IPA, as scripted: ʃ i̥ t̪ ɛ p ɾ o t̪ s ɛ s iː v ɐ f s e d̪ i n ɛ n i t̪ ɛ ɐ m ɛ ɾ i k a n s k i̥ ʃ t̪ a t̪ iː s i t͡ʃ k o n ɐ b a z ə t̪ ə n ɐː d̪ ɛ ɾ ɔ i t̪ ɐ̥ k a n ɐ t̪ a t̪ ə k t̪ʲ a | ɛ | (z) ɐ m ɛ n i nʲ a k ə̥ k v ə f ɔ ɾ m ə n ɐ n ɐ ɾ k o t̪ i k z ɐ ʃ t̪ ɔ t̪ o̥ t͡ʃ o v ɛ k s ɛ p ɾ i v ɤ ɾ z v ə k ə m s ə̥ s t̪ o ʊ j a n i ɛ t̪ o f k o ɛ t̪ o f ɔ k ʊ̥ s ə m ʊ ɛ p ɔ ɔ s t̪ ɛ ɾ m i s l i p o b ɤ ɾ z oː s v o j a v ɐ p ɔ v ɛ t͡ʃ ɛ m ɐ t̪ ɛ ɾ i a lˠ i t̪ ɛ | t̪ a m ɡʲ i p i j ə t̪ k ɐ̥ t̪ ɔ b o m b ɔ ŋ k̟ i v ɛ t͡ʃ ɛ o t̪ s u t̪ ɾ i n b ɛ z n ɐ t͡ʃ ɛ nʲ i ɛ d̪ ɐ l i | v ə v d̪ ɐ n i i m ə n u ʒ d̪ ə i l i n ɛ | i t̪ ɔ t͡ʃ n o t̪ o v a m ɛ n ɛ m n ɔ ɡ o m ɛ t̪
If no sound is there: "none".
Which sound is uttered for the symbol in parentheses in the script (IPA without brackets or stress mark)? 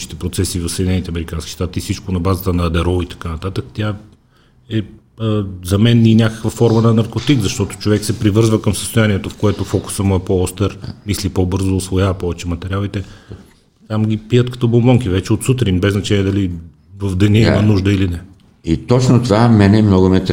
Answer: z